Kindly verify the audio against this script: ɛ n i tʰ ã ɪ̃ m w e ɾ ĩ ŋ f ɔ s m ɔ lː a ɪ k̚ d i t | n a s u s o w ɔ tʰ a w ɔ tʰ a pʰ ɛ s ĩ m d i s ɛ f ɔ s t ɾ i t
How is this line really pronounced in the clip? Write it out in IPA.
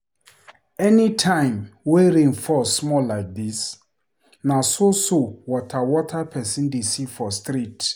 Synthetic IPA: ɛ n i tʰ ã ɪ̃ m w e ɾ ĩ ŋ f ɔ s m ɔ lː a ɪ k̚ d i s | n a s o s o w ɔ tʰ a w ɔ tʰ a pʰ ɛ s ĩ n d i s i f ɔ s t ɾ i t